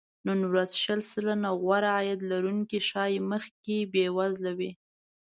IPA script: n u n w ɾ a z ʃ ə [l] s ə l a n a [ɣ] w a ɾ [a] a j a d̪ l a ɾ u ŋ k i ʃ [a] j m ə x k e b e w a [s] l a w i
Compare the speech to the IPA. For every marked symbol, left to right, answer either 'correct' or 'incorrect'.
correct, correct, correct, incorrect, incorrect

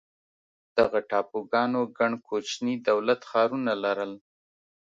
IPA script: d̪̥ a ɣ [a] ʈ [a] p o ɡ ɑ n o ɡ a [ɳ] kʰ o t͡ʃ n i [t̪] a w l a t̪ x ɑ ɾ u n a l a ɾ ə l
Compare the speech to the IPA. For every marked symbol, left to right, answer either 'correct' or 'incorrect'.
correct, incorrect, correct, incorrect

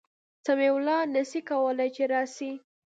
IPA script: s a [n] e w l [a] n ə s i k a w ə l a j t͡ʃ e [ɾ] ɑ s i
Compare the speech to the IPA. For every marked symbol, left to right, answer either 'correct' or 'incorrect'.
incorrect, incorrect, correct

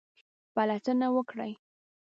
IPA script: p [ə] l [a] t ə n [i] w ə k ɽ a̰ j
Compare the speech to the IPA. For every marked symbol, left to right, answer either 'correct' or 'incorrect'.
incorrect, correct, incorrect

